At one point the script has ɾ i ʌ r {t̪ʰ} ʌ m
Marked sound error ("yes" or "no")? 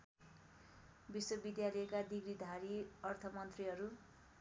no